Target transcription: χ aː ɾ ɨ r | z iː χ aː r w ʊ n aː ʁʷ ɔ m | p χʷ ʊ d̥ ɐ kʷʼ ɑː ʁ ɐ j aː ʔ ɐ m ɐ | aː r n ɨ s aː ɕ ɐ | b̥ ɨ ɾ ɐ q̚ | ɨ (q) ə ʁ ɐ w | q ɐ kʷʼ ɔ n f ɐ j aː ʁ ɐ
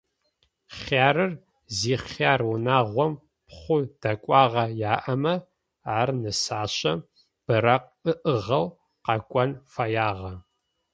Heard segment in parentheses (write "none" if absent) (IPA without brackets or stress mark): ʔ